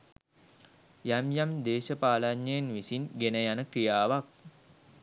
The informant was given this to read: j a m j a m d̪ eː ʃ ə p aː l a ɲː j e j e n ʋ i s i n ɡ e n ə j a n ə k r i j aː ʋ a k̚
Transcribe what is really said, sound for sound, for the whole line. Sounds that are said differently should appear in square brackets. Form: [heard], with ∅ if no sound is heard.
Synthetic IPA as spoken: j a m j a m d̪ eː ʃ ə p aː l a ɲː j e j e n ʋ i s i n ɡ e n ə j a n ə k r i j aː ʋ a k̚